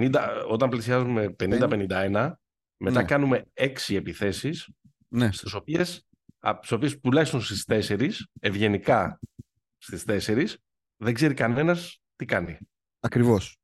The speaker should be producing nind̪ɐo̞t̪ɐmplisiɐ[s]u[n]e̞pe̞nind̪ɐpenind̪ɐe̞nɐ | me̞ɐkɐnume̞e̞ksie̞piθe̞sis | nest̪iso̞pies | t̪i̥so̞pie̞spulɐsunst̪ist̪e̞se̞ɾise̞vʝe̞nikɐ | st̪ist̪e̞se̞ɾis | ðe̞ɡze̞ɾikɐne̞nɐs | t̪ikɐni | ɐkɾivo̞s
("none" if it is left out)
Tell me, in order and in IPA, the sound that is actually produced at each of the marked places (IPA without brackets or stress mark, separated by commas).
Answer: z, m